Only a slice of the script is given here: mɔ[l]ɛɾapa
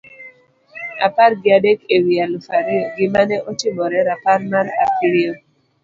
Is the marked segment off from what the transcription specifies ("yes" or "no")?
yes